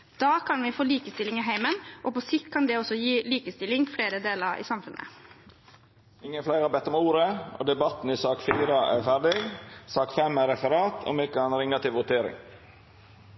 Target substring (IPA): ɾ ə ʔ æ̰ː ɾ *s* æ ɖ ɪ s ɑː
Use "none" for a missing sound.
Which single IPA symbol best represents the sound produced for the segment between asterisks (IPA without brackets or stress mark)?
f